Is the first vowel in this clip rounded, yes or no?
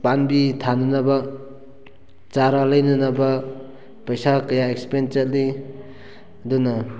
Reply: no